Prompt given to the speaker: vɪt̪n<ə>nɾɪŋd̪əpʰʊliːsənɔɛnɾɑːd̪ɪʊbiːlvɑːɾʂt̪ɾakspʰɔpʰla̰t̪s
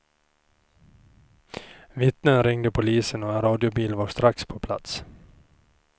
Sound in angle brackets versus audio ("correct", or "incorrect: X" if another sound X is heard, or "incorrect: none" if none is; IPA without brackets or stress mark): correct